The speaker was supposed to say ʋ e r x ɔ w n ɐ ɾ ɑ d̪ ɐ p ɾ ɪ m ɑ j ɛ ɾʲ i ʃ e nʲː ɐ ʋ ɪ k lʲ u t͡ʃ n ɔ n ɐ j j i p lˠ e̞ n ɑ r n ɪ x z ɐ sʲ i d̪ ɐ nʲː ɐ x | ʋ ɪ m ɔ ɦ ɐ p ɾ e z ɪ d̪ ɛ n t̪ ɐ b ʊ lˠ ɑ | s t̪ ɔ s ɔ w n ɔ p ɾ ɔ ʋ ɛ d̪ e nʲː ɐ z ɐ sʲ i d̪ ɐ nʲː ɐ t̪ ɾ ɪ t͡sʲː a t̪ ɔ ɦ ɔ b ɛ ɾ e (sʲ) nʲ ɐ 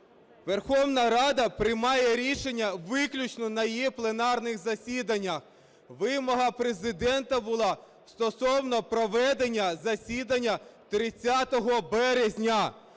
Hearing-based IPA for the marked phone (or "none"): zʲ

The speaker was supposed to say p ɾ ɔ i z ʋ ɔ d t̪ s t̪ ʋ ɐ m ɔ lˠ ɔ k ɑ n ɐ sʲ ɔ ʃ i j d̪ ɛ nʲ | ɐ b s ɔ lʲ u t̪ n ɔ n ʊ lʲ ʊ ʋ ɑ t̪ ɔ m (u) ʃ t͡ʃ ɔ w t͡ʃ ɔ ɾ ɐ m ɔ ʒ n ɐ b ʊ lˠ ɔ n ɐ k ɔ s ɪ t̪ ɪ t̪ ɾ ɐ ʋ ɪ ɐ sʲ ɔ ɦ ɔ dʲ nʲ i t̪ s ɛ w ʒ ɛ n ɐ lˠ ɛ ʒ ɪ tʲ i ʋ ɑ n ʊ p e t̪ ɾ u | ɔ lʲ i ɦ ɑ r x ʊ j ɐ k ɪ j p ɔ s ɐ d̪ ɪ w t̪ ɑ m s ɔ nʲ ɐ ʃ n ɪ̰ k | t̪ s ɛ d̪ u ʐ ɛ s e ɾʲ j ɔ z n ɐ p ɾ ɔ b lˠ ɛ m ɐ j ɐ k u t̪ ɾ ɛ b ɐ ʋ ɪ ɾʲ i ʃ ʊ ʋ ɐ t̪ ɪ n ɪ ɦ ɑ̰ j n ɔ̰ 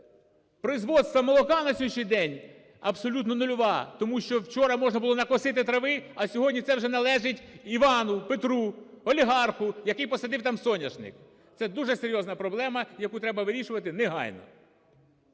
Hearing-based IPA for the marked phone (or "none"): u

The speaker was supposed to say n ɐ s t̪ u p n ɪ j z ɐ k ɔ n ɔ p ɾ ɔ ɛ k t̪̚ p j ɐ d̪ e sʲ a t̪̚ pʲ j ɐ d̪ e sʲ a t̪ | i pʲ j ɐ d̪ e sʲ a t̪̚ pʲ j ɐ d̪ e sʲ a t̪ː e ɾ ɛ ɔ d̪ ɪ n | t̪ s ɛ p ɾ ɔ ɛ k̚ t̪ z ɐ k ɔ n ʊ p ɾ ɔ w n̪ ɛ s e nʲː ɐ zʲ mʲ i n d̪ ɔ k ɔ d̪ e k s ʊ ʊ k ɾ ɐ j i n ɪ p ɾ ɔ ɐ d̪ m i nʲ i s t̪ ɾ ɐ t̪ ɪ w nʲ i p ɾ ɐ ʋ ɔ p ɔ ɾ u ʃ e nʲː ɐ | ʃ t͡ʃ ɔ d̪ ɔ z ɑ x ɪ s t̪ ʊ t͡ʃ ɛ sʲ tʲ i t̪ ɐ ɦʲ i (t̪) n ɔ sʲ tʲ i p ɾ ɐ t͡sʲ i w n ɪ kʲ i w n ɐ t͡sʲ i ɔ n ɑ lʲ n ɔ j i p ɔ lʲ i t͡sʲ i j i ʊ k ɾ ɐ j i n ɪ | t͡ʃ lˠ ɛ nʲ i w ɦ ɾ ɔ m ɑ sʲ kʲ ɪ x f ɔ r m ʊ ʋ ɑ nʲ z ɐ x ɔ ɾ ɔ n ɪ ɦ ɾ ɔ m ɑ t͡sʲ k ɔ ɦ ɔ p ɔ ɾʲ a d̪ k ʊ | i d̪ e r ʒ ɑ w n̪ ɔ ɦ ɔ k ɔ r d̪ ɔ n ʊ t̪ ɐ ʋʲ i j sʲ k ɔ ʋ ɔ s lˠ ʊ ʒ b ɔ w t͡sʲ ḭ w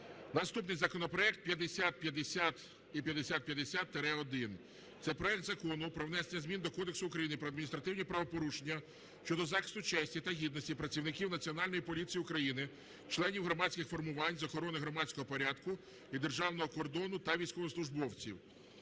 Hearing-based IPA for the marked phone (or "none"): d̪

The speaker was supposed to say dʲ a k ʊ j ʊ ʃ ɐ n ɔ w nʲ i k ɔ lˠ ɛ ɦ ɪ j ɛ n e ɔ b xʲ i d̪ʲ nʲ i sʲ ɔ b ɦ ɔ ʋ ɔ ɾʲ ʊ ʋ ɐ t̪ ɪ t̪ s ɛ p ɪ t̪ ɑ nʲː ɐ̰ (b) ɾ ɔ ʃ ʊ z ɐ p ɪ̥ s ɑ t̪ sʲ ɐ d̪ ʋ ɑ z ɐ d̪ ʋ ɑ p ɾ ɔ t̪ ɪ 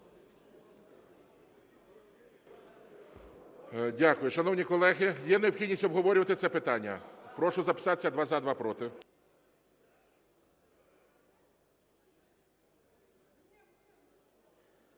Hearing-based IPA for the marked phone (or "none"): p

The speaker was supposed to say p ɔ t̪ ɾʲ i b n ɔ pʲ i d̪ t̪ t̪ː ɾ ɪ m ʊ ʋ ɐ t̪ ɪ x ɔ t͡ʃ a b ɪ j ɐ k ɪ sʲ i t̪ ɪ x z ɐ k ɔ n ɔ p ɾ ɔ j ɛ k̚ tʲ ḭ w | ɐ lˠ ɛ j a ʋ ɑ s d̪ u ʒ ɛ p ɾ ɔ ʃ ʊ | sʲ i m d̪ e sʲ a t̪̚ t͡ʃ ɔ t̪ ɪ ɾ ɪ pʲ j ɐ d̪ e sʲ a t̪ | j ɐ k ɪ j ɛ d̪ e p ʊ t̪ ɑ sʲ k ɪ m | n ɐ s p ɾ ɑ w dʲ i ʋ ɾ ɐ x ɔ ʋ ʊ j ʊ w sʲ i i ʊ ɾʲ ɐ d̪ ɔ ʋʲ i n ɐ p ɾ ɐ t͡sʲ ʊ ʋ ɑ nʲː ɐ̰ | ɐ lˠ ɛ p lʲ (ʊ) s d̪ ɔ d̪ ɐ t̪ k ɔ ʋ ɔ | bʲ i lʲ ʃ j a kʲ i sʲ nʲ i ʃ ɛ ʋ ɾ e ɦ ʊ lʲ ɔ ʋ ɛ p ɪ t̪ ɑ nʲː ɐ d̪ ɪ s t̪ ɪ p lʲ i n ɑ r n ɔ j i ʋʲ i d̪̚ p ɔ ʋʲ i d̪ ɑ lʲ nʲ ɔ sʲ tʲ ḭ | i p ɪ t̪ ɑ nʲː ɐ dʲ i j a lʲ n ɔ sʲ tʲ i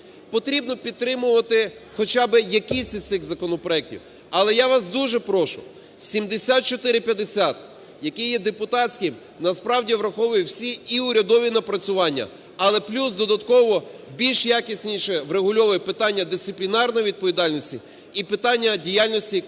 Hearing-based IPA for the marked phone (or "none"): u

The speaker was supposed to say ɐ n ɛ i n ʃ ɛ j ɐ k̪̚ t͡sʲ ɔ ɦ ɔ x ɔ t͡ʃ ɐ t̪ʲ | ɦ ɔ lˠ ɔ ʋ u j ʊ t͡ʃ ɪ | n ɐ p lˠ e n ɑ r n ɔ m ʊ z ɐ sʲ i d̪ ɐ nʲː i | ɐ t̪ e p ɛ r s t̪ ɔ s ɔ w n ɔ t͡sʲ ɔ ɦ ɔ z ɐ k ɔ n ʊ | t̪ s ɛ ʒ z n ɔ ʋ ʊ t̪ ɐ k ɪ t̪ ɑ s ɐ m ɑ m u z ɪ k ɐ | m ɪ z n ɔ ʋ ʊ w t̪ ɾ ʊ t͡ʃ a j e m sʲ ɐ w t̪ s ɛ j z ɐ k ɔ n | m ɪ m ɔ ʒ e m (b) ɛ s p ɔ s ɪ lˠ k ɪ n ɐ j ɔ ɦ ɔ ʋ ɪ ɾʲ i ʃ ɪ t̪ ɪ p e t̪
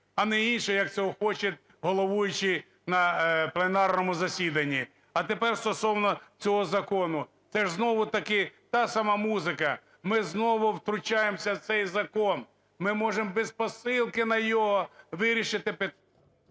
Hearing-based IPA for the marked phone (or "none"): b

